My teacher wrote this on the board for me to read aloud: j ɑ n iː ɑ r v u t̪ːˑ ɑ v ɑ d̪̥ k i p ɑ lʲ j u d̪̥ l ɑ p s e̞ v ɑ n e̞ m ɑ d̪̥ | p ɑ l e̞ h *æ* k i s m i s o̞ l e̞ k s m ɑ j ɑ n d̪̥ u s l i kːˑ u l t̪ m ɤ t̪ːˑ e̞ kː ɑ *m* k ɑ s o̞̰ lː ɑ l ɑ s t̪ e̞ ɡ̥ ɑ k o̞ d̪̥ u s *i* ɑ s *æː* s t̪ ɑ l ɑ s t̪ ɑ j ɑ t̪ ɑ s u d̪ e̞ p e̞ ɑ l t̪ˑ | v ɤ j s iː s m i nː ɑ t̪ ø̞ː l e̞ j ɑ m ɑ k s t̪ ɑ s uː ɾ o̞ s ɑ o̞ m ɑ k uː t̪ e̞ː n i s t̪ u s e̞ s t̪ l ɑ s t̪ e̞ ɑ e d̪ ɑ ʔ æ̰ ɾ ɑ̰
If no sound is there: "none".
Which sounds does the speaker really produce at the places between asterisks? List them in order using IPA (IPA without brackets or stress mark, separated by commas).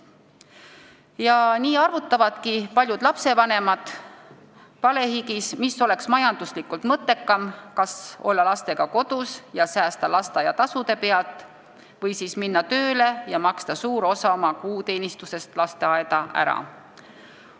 i, m, j, æː